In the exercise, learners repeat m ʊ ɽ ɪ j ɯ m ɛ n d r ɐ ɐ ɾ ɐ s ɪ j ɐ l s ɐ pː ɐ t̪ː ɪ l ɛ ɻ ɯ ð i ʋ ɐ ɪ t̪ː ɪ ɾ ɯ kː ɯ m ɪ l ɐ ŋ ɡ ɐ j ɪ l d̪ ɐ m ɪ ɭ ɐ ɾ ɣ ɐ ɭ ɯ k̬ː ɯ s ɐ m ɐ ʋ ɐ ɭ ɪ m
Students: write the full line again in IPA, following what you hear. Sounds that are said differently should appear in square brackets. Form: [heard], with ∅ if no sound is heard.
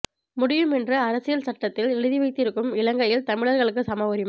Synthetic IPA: m ʊ ɽ ɪ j ɯ m ɛ n d r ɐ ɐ ɾ ɐ s ɪ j ɐ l s ɐ [ʈː] ɐ t̪ː ɪ l ɛ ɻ ɯ ð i ʋ ɐ ɪ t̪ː ɪ ɾ ɯ kː ɯ m ɪ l ɐ ŋ ɡ ɐ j ɪ l [t̪] ɐ m ɪ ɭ ɐ ɾ ɣ ɐ ɭ ɯ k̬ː ɯ s ɐ m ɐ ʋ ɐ [ɾ] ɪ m